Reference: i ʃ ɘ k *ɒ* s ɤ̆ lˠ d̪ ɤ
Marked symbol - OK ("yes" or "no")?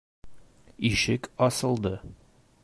yes